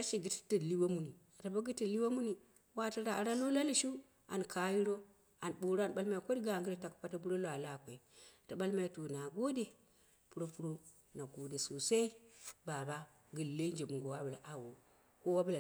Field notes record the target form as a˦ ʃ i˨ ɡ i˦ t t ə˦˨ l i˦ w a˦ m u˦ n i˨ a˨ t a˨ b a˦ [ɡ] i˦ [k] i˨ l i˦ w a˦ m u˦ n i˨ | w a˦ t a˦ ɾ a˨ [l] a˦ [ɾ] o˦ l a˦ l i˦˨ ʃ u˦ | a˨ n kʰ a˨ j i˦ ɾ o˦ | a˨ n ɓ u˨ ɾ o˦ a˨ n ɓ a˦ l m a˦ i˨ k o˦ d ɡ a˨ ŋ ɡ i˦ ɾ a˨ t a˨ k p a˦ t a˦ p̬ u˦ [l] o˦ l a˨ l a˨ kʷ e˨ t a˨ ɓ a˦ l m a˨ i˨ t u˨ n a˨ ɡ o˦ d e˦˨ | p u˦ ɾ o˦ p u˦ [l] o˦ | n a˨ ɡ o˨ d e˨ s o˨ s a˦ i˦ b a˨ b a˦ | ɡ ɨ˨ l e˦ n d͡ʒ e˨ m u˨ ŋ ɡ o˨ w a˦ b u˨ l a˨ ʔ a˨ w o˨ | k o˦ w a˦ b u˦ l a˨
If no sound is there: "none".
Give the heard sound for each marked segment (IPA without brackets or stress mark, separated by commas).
ɡ, t, ɾ, l, ɾ, ɾ